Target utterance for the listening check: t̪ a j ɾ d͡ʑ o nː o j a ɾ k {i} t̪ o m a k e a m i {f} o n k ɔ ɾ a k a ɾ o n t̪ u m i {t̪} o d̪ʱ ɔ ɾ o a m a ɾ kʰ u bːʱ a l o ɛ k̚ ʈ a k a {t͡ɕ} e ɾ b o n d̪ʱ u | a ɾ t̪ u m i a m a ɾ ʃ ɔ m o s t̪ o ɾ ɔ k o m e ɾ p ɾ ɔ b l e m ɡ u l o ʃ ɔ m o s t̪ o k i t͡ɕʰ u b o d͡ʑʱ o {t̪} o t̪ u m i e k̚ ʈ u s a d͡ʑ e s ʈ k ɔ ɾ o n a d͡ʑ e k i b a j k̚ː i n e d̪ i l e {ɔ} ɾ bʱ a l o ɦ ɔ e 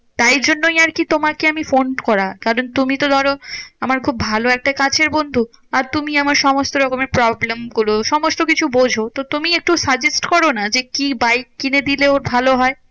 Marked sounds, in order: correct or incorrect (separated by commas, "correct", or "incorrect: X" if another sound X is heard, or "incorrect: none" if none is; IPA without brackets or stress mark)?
correct, correct, correct, incorrect: t͡ɕʰ, correct, incorrect: o